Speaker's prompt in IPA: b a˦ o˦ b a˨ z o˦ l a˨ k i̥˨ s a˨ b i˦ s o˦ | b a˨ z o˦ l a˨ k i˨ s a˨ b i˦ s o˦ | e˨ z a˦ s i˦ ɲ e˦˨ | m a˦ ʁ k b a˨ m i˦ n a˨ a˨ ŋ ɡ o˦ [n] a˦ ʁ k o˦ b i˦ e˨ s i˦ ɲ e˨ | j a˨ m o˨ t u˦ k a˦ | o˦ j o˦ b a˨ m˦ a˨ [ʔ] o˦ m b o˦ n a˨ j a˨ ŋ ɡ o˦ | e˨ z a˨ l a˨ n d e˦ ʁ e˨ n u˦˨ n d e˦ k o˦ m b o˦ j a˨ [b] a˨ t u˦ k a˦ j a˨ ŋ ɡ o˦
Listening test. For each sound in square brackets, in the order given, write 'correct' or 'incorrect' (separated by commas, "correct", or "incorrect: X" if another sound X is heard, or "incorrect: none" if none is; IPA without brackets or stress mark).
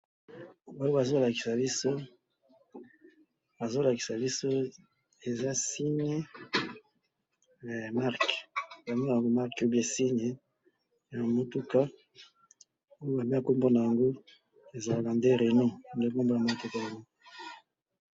incorrect: m, incorrect: k, incorrect: m